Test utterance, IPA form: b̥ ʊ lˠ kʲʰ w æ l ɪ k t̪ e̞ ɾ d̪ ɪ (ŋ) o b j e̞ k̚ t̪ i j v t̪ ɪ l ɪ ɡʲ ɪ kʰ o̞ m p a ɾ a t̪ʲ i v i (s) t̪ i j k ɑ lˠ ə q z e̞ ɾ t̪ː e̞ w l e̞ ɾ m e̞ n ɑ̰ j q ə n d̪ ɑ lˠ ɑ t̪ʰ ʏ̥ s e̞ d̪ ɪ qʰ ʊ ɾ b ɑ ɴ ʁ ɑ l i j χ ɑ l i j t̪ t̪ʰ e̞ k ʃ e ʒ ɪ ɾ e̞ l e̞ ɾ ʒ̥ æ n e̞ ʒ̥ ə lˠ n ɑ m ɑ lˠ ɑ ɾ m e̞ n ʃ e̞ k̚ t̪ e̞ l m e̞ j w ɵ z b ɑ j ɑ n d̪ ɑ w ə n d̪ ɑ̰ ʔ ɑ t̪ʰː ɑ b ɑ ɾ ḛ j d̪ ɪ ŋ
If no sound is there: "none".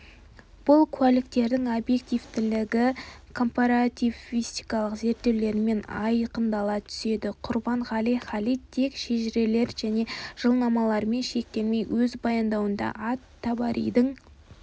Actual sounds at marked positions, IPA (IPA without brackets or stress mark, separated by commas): ŋ, s